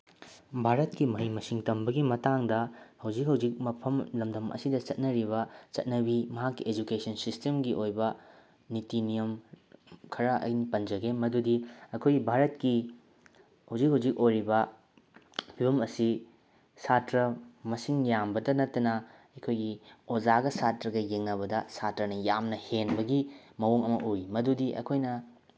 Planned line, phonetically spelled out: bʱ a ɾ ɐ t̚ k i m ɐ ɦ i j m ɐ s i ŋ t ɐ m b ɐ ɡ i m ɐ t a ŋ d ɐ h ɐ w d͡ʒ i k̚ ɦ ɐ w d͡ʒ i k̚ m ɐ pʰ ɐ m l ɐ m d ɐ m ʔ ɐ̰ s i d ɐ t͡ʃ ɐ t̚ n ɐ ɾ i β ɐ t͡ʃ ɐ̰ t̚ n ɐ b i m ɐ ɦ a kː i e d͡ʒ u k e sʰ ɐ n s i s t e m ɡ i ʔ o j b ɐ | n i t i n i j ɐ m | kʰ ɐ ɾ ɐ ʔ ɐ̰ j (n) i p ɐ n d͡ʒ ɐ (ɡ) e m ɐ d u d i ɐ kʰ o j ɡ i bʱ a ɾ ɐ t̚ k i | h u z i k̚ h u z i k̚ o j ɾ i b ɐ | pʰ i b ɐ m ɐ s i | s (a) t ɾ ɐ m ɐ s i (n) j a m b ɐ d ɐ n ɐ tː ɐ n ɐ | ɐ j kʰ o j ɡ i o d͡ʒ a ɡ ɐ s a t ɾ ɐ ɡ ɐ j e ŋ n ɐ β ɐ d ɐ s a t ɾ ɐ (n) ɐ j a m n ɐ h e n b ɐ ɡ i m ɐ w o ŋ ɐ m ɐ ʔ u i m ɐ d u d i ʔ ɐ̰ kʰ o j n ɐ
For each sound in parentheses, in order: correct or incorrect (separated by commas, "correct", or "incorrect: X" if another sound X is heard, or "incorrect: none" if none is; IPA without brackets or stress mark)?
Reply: correct, correct, correct, incorrect: ŋ, correct